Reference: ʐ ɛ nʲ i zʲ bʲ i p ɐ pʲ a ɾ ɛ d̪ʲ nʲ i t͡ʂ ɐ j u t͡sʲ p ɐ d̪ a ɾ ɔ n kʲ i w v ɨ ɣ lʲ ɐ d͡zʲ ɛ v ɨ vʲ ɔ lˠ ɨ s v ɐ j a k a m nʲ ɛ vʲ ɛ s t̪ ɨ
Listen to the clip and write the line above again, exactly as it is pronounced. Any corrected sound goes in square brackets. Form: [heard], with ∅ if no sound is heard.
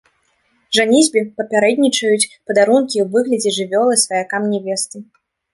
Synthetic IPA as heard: ʐ [a] nʲ i zʲ bʲ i p ɐ pʲ a ɾ ɛ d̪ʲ nʲ i t͡ʂ ɐ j u t͡sʲ p ɐ d̪ a ɾ [u] n kʲ i w v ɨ ɣ lʲ ɐ d͡zʲ ɛ [ʐ] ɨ vʲ ɔ lˠ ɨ s v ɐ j a k a m nʲ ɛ vʲ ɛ s t̪ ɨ